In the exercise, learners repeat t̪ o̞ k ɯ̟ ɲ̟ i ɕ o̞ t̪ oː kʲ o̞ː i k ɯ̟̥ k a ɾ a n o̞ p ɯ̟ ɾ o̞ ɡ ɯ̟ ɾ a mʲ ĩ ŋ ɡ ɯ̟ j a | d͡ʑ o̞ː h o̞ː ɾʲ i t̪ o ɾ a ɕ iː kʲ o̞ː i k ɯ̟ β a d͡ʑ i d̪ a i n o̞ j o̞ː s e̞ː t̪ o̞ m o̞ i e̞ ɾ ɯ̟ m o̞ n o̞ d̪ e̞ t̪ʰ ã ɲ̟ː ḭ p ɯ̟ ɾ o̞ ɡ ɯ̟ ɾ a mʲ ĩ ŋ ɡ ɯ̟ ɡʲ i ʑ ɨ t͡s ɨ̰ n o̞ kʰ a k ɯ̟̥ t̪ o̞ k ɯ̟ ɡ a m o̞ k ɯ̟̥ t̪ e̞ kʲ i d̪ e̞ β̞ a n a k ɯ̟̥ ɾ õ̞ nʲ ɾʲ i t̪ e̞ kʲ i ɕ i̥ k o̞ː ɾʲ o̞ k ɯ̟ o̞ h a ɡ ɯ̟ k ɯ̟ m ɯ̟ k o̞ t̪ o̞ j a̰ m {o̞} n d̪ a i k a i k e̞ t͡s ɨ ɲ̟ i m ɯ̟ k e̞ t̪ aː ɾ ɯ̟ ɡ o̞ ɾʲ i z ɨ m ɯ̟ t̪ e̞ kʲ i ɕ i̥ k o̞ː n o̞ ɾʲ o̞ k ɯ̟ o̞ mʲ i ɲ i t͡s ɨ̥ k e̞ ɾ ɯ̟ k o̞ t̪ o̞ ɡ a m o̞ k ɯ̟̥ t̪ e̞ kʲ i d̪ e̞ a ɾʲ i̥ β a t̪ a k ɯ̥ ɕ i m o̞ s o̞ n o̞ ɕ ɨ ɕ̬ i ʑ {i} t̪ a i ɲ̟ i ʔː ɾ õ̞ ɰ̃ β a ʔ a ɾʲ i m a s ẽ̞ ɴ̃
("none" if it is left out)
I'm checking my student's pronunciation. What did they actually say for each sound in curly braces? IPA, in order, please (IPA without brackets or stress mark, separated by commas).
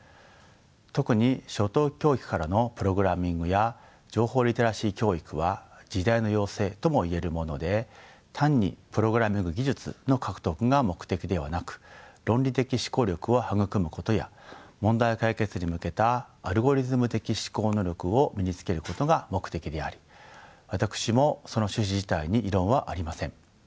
õ̞, i